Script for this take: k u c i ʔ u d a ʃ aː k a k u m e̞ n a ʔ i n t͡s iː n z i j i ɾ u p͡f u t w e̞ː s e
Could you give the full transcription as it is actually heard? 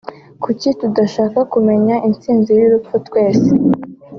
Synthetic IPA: k u c i t u d a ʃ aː k a k u m e̞ ɲ a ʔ i n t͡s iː n z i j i ɾ u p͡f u t w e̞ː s e